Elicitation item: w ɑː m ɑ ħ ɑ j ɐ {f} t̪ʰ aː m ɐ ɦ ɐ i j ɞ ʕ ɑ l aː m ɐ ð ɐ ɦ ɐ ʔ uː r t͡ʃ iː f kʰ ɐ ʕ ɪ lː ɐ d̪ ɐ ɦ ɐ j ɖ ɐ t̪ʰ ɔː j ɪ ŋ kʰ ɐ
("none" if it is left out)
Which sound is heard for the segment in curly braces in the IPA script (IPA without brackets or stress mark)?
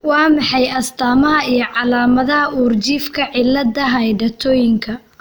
s